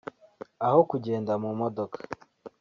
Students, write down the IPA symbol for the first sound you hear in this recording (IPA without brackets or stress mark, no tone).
a